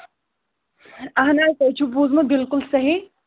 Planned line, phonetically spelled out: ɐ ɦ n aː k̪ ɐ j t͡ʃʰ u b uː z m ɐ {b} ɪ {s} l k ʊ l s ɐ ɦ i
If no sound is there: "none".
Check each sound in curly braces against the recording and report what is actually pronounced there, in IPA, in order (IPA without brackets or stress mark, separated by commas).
b, none